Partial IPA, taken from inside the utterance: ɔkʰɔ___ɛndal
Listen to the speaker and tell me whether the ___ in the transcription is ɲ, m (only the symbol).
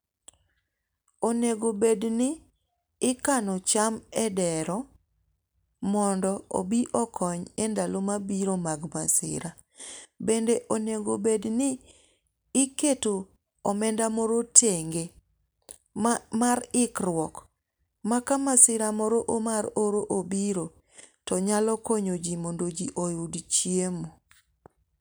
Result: ɲ